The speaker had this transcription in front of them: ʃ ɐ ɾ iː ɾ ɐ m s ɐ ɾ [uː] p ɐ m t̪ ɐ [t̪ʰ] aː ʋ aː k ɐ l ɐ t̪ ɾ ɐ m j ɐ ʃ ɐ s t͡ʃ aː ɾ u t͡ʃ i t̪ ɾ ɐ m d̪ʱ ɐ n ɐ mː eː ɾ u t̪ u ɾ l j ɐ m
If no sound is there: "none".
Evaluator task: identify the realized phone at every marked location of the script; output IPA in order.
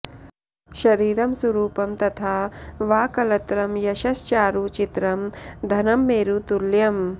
uː, t̪ʰ

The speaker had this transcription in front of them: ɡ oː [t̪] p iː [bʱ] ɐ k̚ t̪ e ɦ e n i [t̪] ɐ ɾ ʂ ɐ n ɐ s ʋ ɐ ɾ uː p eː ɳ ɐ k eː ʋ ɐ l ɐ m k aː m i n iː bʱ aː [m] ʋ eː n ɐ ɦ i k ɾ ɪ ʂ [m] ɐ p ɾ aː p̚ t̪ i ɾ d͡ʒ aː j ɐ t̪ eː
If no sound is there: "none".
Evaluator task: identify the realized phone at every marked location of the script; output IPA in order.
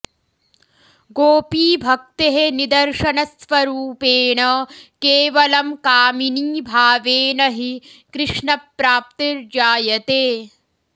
none, bʱ, d̪, none, ɳ

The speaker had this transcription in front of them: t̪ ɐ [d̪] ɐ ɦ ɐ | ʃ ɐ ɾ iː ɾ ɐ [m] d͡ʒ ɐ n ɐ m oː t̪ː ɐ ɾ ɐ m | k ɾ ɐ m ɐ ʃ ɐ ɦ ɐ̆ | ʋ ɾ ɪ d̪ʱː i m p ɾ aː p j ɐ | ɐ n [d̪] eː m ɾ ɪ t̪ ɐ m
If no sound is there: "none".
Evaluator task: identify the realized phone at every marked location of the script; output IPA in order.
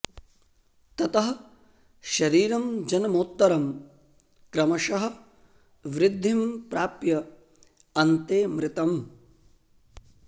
t̪, m, t̪

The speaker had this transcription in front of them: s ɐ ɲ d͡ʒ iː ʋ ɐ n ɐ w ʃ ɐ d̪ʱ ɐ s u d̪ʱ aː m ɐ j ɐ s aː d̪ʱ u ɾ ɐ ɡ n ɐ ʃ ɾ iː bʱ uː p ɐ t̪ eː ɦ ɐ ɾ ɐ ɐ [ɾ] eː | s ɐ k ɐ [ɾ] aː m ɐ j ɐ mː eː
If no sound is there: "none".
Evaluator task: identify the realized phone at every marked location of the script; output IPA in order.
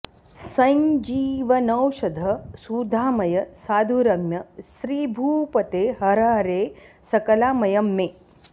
ɾ, l

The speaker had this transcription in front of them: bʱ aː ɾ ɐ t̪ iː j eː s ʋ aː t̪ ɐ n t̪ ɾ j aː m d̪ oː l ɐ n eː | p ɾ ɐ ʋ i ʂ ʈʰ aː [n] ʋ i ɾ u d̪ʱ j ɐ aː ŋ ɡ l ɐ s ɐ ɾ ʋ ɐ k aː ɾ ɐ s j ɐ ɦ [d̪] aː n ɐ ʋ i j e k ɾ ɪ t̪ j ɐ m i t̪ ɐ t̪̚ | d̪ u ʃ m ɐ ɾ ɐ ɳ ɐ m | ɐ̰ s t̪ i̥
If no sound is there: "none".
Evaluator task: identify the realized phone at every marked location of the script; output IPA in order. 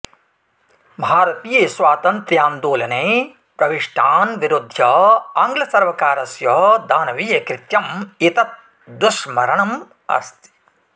n, d̪

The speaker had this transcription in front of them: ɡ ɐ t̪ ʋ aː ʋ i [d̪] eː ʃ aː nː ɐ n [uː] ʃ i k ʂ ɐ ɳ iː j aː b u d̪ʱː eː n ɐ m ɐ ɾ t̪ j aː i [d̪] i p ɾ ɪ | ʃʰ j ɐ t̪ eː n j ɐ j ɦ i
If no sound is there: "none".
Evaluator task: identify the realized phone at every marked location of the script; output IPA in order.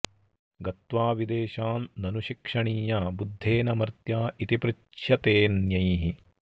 d̪, u, t̪

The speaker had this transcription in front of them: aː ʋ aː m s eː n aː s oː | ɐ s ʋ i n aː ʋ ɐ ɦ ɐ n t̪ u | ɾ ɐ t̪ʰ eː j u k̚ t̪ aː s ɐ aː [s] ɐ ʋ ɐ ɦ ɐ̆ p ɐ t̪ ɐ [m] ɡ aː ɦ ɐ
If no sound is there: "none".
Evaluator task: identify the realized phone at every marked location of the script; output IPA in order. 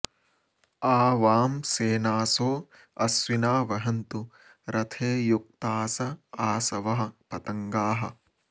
s, ŋ

